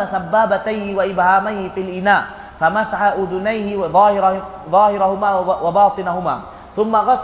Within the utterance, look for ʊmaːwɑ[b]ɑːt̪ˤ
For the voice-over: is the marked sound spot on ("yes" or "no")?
yes